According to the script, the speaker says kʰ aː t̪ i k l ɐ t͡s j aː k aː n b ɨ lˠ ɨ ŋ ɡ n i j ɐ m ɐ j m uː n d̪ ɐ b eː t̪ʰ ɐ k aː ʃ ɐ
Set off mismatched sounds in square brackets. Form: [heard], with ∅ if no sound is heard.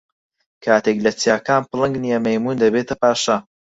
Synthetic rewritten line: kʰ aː t̪ [e] k l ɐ t͡s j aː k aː n [p] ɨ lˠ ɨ ŋ ɡ n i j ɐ m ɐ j m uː n d̪ ɐ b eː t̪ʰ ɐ [p] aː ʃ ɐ